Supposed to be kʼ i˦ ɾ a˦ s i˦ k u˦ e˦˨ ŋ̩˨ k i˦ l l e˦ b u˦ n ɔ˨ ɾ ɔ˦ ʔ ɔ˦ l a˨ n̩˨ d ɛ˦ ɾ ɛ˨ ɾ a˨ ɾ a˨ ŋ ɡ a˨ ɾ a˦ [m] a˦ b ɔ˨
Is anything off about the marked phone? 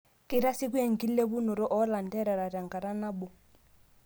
yes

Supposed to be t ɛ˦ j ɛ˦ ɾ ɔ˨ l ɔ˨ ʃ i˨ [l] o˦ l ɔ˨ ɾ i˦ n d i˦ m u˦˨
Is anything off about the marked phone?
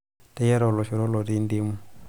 yes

